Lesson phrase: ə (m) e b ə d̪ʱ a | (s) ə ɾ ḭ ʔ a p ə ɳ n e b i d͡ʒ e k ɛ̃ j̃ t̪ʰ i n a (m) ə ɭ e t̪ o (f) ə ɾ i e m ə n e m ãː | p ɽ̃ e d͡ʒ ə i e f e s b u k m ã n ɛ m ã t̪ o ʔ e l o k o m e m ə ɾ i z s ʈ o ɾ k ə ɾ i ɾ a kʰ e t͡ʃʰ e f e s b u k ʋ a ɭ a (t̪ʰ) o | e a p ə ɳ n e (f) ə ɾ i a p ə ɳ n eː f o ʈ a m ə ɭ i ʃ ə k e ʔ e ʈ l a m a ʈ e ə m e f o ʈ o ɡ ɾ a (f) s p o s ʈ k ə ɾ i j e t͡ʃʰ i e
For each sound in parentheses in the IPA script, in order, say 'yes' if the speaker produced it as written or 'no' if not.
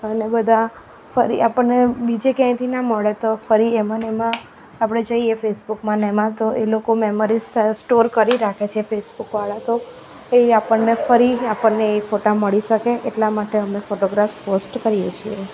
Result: no, no, yes, yes, no, yes, yes

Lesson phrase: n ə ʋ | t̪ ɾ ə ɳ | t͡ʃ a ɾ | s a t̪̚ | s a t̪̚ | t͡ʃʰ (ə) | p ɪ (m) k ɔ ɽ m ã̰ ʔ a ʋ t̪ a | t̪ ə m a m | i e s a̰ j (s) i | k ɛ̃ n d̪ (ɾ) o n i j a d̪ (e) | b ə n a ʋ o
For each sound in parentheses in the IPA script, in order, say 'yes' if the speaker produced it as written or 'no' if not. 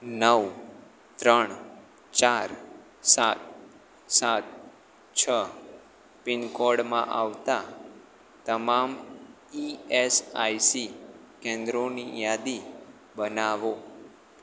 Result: yes, no, yes, yes, no

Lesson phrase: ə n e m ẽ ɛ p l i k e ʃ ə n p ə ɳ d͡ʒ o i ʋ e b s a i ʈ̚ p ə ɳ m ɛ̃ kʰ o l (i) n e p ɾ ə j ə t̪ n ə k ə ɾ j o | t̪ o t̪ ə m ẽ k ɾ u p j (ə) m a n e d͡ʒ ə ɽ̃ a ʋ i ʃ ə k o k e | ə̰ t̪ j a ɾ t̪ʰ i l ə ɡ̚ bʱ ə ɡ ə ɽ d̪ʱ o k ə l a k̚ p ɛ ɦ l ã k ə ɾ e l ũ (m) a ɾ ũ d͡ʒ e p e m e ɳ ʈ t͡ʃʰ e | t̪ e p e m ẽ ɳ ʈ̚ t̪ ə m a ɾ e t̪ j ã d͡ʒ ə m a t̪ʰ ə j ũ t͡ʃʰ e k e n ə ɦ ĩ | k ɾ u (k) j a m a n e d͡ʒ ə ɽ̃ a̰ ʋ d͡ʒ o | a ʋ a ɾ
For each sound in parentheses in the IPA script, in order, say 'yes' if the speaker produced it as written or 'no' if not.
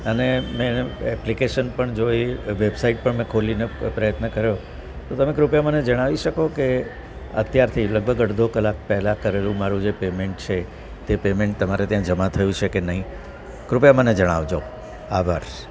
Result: yes, no, yes, no

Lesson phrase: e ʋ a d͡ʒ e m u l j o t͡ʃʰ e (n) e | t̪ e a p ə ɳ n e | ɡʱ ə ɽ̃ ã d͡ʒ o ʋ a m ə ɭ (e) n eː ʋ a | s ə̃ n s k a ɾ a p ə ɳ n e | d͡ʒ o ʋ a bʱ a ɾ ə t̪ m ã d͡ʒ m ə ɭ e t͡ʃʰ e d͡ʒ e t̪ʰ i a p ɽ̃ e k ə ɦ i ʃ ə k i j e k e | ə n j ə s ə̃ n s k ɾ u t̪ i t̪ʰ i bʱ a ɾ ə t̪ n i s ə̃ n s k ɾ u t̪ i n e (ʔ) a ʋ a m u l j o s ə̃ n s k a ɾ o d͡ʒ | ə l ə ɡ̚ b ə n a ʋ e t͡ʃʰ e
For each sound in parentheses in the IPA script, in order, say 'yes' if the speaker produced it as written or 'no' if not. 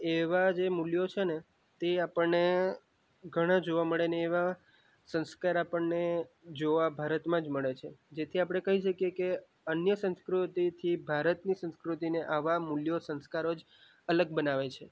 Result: yes, yes, yes

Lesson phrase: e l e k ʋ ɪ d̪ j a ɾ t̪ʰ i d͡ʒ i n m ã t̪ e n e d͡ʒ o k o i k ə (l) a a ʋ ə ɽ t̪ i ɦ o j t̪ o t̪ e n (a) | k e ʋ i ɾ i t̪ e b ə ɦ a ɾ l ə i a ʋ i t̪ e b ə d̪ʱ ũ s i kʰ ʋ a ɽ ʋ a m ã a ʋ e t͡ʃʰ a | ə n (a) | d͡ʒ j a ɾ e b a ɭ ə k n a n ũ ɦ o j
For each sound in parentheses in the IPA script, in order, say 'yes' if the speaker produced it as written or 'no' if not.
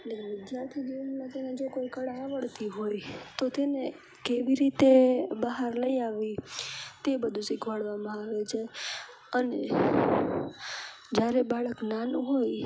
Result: no, no, no

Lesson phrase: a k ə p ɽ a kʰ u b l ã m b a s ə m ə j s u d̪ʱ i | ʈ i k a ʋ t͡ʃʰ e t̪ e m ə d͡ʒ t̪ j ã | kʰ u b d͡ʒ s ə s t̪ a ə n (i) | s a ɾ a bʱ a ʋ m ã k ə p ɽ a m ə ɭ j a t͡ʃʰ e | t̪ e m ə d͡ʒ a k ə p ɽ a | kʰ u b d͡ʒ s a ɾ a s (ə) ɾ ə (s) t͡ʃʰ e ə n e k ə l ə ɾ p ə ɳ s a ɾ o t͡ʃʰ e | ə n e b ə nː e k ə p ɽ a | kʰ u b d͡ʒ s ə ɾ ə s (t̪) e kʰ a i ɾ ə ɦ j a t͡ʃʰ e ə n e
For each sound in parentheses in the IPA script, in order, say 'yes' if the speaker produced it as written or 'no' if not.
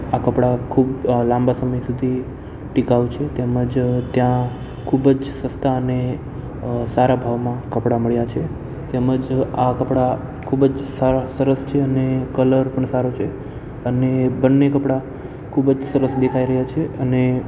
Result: no, yes, yes, no

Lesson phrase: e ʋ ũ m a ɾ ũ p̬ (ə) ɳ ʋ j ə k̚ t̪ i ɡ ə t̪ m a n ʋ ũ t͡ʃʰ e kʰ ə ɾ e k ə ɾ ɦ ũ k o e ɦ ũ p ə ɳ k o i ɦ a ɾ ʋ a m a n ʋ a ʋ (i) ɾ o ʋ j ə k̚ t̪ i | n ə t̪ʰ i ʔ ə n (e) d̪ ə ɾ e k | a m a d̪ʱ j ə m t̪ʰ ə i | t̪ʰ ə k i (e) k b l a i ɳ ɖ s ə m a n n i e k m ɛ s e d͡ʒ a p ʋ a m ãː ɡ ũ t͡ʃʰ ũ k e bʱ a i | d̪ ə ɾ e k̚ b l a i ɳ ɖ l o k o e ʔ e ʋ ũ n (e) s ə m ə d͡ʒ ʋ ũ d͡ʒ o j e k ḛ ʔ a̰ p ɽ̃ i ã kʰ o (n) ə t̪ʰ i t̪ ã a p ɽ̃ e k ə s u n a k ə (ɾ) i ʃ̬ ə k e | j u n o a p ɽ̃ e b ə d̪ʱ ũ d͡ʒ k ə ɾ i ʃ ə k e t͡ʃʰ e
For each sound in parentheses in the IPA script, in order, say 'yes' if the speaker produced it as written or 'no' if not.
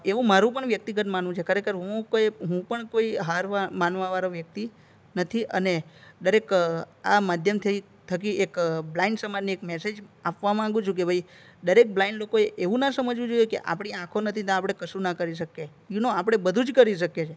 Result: yes, no, yes, yes, no, yes, yes

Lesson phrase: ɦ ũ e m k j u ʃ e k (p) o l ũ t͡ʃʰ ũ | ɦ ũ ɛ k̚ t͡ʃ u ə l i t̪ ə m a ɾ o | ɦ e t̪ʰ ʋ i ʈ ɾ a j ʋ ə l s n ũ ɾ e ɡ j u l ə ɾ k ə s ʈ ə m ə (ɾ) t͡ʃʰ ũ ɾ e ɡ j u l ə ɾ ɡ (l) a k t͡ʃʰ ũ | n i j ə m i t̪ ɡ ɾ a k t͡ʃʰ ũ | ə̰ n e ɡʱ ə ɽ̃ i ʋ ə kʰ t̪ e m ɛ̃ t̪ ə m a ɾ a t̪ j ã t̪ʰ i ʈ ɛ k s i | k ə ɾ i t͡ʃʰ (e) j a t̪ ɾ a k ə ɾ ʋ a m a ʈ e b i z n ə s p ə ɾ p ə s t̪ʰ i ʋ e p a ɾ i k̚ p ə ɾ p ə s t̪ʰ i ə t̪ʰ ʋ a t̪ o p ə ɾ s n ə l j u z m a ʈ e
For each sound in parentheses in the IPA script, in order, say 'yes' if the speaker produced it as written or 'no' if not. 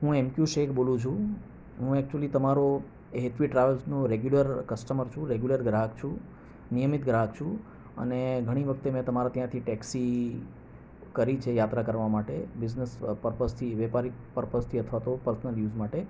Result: no, yes, no, yes

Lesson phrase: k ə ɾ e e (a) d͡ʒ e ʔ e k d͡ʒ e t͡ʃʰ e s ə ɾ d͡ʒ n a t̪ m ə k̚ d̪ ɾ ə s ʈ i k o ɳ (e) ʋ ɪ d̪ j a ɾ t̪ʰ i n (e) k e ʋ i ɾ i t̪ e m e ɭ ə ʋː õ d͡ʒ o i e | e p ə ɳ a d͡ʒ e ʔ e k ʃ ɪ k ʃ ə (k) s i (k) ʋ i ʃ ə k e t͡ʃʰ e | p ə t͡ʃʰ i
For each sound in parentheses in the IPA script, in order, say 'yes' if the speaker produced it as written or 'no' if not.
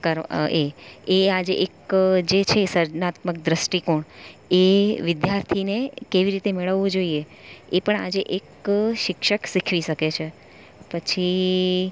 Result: yes, yes, yes, yes, no

